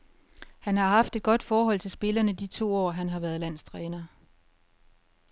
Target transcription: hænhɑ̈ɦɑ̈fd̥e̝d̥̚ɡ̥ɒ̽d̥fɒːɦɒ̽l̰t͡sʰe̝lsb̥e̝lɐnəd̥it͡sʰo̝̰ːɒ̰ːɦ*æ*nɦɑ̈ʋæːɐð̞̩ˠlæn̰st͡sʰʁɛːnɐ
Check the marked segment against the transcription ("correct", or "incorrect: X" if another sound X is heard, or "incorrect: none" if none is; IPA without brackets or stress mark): correct